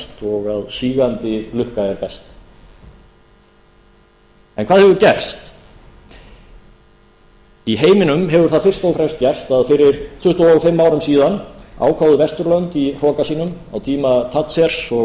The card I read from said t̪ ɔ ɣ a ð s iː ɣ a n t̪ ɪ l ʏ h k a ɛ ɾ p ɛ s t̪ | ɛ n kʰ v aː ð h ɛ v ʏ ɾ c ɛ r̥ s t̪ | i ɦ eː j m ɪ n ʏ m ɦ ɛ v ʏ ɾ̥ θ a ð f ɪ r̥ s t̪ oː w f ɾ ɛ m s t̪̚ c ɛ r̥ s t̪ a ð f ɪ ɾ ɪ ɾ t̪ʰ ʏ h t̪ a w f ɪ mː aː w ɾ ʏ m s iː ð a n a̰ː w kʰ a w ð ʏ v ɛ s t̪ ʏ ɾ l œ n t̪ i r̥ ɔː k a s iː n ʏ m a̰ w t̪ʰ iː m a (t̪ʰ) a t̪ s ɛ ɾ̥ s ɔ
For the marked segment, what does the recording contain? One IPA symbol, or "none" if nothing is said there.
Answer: t̪ʰ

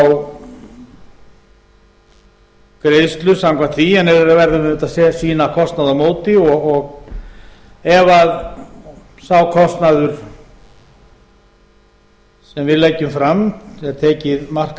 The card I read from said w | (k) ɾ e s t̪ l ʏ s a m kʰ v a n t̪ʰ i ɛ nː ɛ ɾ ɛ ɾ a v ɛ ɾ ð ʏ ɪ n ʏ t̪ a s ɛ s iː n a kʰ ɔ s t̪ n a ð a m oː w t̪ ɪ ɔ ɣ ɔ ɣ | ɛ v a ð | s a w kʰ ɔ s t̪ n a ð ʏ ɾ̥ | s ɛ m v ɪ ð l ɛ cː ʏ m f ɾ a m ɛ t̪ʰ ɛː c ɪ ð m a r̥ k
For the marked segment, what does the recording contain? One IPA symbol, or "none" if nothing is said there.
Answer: k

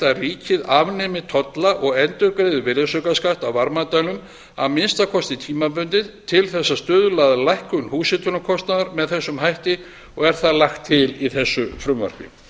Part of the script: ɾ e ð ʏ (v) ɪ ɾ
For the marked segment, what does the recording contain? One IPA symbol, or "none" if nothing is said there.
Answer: v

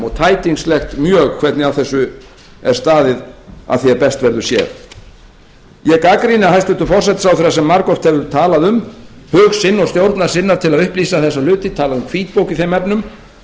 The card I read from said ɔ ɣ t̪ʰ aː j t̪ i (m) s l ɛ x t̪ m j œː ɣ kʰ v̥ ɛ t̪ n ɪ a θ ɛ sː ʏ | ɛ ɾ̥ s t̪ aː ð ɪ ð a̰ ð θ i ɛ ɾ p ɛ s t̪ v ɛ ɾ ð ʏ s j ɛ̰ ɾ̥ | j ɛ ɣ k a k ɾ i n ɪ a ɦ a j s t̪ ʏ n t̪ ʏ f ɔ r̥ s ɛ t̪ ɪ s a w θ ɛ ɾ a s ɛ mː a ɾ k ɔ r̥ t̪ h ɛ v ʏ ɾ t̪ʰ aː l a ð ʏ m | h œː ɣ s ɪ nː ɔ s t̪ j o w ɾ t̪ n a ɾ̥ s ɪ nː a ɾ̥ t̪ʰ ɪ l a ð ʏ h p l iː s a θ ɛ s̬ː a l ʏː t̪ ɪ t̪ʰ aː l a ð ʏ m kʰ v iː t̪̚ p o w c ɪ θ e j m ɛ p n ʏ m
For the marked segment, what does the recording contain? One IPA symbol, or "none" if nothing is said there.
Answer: ŋ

